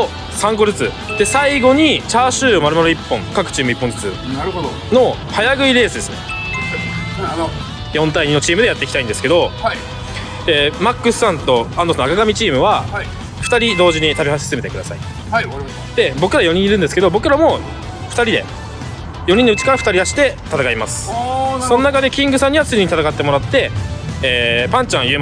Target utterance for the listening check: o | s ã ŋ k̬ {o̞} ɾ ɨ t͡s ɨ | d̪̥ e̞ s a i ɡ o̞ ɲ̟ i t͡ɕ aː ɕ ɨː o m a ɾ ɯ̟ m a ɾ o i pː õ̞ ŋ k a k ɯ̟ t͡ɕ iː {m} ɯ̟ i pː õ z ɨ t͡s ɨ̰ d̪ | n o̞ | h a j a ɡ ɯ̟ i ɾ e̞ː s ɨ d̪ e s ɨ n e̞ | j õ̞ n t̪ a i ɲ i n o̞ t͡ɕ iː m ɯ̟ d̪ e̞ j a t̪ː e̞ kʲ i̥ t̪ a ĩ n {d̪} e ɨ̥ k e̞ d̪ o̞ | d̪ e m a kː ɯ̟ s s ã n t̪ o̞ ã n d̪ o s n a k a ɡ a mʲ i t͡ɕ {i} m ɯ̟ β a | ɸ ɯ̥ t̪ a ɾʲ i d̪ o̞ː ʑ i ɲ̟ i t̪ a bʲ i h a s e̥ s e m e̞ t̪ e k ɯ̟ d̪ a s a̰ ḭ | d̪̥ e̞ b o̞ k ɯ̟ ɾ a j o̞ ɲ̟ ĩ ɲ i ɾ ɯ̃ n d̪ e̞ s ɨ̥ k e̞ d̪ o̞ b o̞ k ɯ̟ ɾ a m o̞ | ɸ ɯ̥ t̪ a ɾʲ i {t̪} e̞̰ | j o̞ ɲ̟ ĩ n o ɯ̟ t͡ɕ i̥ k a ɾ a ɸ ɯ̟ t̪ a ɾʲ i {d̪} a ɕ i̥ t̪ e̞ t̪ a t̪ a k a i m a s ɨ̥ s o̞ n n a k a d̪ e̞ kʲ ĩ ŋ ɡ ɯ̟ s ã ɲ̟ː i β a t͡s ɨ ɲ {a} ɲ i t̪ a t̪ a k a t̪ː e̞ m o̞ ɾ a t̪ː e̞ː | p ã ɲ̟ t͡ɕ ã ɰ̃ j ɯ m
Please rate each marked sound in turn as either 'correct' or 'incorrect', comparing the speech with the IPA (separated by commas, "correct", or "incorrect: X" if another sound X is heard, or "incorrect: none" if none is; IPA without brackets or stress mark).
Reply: correct, correct, correct, incorrect: iː, incorrect: d̪, correct, incorrect: i